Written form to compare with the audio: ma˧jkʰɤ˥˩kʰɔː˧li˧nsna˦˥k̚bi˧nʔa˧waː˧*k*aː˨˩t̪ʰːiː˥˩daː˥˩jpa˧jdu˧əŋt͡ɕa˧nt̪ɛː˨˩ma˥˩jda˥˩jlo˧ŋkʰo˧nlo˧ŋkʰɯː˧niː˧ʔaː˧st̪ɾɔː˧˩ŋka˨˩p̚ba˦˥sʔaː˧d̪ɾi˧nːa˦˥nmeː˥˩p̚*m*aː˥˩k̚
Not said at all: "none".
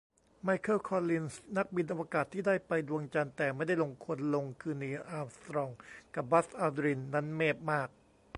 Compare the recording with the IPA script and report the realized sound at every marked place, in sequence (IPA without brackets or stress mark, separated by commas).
k, m